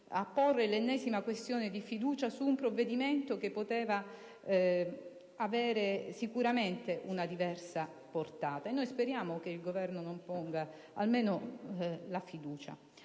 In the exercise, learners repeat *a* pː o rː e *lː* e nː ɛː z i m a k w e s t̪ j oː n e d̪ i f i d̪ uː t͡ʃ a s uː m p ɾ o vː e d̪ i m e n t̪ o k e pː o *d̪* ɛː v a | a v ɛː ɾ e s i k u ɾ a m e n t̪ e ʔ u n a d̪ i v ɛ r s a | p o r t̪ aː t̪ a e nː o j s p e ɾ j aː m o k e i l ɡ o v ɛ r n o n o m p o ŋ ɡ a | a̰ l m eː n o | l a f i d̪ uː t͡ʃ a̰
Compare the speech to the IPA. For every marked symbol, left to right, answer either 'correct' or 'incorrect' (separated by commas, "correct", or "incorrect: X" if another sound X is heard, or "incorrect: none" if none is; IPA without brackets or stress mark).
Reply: correct, incorrect: l, incorrect: t̪